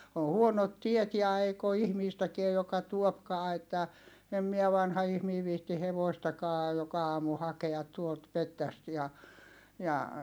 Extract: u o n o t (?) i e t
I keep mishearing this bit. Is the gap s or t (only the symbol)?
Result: t